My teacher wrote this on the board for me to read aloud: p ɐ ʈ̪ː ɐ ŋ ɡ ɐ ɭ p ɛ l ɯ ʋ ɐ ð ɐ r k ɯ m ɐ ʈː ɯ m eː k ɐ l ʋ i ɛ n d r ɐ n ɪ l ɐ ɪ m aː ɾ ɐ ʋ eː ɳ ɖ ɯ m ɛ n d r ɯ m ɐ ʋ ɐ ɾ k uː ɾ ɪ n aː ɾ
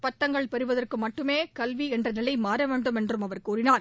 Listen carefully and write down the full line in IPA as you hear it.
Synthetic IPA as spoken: p ɐ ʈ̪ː ɐ ŋ ɡ ɐ ɭ p ɛ ɾ ɯ ʋ ɐ ð ɐ r k ɯ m ɐ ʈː ɯ m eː k ɐ l ʋ i ɛ n d r ɐ n ɪ l ɐ ɪ m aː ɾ ɐ ʋ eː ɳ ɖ ɯ m ɛ n d r ɯ m ɐ ʋ ɐ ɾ k uː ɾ ɪ n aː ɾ